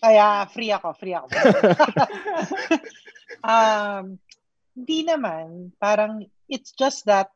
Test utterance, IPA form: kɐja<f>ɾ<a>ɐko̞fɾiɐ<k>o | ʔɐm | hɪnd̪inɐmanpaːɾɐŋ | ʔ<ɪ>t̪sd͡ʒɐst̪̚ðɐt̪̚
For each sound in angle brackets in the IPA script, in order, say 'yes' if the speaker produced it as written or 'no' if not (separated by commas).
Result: yes, no, yes, yes